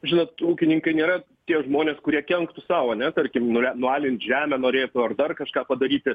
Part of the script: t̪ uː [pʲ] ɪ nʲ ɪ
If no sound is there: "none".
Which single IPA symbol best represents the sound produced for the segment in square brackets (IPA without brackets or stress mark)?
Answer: kʲ